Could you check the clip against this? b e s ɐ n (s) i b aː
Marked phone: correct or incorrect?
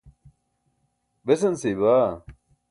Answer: correct